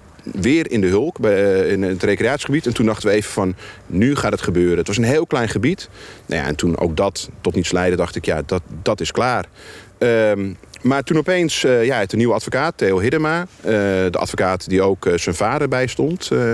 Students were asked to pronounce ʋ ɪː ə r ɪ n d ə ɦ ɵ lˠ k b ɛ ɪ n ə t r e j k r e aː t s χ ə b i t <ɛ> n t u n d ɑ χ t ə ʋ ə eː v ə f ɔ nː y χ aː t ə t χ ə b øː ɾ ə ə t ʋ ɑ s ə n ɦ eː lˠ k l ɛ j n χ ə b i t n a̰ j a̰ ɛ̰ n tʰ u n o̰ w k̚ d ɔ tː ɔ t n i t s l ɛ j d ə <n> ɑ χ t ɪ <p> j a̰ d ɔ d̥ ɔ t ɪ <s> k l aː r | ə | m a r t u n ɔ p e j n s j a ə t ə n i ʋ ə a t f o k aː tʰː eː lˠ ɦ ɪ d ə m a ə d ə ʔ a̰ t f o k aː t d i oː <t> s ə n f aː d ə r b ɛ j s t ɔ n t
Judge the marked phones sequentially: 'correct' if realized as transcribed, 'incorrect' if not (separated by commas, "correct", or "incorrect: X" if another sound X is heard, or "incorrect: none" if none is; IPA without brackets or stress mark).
correct, incorrect: d, incorrect: k, correct, incorrect: k